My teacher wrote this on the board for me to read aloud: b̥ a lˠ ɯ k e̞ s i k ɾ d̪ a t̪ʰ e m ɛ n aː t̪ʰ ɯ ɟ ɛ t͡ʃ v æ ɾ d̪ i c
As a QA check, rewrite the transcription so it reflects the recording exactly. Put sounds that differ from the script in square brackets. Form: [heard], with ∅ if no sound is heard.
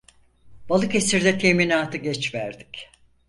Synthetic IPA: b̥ a lˠ ɯ k e̞ s i [∅] ɾ d̪ [ɛ] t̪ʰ e m [i] n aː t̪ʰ ɯ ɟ ɛ t͡ʃ v æ ɾ d̪ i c